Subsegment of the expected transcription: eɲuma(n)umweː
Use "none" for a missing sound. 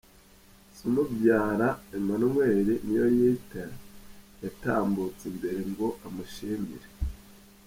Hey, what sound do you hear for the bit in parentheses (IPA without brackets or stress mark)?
n